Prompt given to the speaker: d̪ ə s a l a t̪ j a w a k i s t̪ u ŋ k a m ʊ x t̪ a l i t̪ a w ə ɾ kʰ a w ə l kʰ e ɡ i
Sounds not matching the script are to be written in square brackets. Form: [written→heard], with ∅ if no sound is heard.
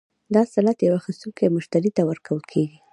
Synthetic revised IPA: d̪ [ə→ɑ] s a l a t̪ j a w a [k→x] i s t̪ u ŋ k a m ʊ [x→ʃ] t̪ a [l→ɾ] i t̪ a w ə ɾ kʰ a w ə l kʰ e ɡ i